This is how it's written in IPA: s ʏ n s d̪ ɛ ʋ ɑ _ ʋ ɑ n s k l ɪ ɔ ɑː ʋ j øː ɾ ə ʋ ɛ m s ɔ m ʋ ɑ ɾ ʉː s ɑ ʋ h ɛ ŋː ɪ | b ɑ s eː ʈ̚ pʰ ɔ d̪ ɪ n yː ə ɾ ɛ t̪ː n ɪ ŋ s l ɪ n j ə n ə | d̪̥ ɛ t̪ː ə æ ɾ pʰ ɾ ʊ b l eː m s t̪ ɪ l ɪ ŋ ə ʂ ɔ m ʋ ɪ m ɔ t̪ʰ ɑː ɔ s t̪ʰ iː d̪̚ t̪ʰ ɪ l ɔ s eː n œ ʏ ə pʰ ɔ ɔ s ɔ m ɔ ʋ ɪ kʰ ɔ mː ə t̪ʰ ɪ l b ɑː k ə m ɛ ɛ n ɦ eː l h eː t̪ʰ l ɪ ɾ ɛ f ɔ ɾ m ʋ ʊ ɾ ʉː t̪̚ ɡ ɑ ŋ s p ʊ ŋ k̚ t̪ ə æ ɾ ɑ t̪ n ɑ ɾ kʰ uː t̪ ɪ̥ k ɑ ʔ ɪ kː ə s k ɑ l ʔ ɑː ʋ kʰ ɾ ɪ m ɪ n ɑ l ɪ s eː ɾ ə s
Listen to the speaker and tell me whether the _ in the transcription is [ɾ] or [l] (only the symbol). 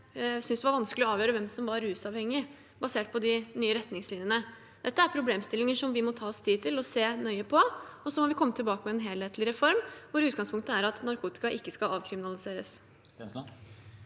ɾ